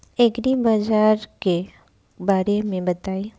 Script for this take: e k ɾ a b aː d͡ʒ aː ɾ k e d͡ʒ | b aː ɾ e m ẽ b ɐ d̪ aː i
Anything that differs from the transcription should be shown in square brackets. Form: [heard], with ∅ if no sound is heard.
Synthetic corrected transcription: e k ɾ [i] b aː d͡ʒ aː ɾ k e [∅] | b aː ɾ e m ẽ b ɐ [t̪] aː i